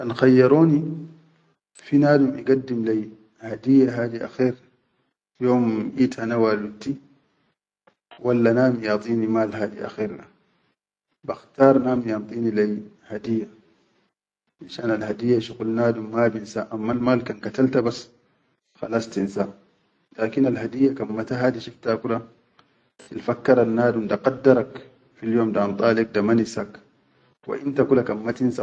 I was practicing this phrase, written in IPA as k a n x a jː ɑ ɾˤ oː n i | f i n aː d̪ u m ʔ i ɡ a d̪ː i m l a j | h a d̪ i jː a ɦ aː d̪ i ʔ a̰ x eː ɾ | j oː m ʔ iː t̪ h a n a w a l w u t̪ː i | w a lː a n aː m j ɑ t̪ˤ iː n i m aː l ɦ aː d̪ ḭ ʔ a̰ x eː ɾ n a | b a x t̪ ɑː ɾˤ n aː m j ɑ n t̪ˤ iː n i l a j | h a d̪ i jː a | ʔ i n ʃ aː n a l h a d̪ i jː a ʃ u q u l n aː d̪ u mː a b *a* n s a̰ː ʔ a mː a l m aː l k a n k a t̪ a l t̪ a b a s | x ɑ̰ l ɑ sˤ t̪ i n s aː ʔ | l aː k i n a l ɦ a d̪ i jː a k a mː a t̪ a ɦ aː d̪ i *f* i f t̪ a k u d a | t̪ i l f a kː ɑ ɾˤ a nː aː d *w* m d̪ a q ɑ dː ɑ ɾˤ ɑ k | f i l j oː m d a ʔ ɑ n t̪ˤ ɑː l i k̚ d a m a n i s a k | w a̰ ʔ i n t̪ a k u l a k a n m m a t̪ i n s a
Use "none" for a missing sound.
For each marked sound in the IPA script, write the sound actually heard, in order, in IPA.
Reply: i, ʃ, u

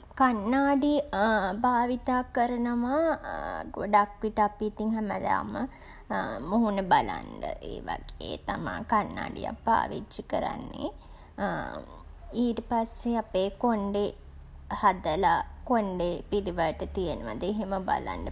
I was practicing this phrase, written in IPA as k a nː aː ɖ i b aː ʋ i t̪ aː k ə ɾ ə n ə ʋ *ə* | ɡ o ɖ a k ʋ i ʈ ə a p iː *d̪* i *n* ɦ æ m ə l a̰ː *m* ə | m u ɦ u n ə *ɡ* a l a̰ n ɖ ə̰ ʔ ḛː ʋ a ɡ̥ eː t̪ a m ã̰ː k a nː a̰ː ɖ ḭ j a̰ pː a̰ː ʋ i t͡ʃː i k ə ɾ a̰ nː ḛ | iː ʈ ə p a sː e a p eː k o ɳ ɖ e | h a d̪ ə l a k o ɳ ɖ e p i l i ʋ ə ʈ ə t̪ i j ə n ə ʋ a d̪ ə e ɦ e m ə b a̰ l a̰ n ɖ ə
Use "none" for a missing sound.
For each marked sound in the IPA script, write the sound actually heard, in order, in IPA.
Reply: a, t̪, ŋ, m, b

